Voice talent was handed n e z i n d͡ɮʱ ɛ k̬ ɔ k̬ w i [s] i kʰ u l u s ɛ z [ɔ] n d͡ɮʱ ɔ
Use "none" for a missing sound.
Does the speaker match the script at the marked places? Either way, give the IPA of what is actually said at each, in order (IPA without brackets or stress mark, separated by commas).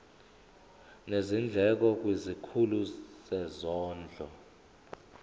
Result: z, ɔː